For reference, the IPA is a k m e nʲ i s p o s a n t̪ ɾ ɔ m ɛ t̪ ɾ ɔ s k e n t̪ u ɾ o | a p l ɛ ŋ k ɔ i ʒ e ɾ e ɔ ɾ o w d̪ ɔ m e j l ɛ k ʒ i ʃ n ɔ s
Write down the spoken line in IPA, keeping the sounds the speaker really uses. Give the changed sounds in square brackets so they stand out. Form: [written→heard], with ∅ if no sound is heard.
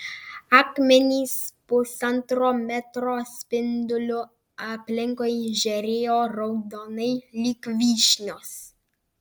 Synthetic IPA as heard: a k m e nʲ i s p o s a n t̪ ɾ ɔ m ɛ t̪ ɾ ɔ s [k→p] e n [t̪→d̪] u [ɾ→l] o | a p l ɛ ŋ k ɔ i ʒ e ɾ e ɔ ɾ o w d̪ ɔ [m→n] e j l [ɛ→i] k [ʒ→v] i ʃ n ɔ s